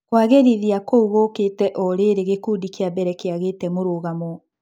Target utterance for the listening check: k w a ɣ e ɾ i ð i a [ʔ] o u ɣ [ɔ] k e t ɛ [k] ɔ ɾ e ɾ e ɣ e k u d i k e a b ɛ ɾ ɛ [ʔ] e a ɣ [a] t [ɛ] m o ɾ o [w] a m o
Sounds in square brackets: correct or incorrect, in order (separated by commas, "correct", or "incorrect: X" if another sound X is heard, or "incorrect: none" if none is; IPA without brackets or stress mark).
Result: incorrect: k, incorrect: o, incorrect: ʔ, incorrect: k, incorrect: e, correct, incorrect: ɣ